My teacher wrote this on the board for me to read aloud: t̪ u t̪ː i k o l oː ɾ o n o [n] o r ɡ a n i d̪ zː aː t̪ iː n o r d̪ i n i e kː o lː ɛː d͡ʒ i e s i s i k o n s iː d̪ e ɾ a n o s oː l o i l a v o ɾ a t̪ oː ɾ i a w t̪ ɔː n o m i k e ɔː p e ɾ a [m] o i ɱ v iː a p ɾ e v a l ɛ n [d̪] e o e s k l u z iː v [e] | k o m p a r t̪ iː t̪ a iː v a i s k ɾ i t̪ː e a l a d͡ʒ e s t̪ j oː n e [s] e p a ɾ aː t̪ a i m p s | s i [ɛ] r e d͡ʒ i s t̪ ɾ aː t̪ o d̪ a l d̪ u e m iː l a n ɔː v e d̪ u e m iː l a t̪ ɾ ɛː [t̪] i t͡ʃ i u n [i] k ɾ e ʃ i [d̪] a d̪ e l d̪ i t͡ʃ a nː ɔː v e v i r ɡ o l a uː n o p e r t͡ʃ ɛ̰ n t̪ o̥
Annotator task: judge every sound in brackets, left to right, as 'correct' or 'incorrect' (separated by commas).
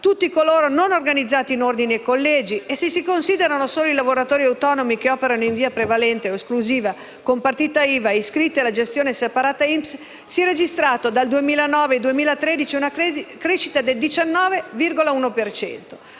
correct, incorrect, incorrect, incorrect, correct, correct, incorrect, incorrect, incorrect